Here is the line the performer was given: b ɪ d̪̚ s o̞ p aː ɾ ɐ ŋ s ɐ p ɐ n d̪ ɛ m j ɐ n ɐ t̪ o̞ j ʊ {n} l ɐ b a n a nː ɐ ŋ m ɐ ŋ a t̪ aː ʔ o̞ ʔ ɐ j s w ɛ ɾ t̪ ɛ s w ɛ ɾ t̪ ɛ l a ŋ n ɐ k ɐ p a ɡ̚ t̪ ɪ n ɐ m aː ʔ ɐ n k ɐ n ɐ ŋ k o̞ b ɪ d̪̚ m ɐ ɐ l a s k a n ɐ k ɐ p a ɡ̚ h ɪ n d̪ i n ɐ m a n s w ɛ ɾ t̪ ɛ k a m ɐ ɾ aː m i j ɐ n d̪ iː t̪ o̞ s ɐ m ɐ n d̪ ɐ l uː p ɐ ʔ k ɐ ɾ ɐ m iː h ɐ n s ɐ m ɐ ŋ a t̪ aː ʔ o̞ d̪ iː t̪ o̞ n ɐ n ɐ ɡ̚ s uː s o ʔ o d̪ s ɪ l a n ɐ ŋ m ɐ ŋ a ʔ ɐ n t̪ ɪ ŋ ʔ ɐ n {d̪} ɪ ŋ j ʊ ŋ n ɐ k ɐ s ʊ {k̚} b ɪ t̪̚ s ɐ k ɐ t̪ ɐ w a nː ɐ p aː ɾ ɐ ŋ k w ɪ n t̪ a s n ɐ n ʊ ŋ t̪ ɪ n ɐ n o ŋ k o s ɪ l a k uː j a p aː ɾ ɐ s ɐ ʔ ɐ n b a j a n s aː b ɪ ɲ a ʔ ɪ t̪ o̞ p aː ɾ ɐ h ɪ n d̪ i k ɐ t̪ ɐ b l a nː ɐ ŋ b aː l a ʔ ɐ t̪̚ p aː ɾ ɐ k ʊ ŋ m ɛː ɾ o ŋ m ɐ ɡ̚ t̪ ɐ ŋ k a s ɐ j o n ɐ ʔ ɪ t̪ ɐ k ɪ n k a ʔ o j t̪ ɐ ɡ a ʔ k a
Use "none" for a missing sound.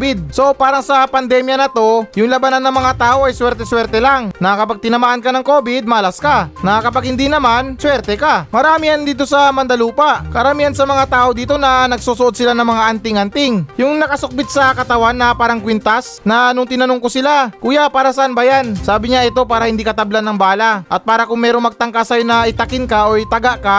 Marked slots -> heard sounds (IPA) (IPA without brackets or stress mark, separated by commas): ŋ, t̪, k̚